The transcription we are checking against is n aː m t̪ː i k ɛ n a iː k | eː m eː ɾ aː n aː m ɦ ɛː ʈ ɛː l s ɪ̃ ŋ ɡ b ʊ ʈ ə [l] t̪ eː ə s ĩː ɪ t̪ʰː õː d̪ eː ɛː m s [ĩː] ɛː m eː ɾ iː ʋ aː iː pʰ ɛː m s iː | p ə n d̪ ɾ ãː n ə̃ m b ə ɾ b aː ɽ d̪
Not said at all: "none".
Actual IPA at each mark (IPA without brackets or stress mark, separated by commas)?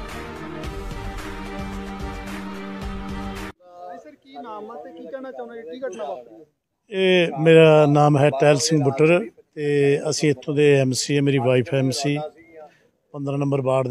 ɾ, iː